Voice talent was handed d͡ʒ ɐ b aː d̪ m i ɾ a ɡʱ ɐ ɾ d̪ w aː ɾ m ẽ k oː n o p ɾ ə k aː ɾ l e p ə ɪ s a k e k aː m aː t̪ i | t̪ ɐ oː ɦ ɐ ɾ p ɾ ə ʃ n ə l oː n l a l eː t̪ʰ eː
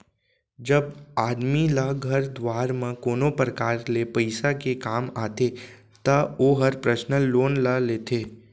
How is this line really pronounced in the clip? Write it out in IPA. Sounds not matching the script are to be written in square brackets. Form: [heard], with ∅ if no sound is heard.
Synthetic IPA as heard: d͡ʒ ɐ b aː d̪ m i [l] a ɡʱ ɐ ɾ d̪ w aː ɾ m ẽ k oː n o p ɾ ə k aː ɾ l e p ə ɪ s a k e k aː m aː t̪ [e] | t̪ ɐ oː ɦ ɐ ɾ p ɾ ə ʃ n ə l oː n l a l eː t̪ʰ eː